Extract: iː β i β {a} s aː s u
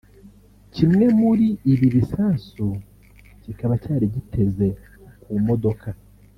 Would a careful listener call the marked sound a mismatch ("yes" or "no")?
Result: yes